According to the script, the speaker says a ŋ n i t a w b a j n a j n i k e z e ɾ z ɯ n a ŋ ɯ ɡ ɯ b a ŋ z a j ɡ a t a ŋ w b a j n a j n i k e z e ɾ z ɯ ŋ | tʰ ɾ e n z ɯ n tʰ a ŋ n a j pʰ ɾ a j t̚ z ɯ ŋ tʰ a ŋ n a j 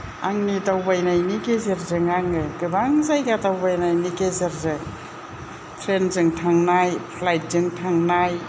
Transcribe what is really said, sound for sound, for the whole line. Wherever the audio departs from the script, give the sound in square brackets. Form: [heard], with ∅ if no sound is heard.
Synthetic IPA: a ŋ n i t a w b a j n a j n i k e z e ɾ z ɯ [ŋ] a ŋ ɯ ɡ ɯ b a ŋ z a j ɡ a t a [∅] w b a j n a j n i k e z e ɾ z ɯ ŋ | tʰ ɾ e n z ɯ [ŋ] tʰ a ŋ n a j pʰ [l] a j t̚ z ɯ ŋ tʰ a ŋ n a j